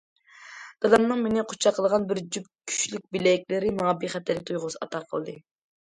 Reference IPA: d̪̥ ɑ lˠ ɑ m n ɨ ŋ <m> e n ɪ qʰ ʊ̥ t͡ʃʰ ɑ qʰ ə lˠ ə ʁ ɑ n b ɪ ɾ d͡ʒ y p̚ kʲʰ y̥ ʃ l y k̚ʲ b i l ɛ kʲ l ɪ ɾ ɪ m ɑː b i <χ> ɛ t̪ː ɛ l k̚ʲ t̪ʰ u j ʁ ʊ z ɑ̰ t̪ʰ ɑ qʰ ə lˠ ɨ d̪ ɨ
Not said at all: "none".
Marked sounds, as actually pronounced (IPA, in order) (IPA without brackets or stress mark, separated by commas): m, χ